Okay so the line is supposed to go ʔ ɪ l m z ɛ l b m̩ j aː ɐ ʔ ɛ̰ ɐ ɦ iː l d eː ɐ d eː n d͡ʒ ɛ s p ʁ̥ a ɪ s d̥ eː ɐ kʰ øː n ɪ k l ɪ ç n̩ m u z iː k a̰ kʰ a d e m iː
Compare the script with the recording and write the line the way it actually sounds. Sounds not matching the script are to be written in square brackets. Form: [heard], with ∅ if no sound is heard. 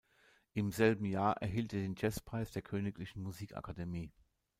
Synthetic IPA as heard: ʔ ɪ [∅] m z ɛ l b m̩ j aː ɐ ʔ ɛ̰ ɐ ɦ iː l [t] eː ɐ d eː n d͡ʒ ɛ s p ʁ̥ a ɪ s d̥ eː ɐ kʰ øː n ɪ k l ɪ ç n̩ m u z iː k a̰ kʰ a d e m iː